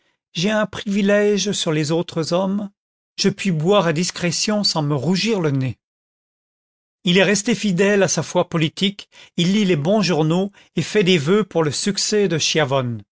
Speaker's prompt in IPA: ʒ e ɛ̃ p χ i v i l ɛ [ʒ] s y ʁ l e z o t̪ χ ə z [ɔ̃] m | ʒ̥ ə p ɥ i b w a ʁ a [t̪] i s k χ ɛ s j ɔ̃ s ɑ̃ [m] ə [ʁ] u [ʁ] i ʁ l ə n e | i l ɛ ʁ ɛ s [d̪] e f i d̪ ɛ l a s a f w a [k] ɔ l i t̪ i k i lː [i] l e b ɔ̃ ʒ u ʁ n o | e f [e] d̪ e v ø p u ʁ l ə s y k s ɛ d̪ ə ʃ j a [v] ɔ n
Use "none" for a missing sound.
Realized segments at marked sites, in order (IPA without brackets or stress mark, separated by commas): ʒ, ɔ, d̪, m, ʁ, ʒ, t̪, p, i, ɛ, v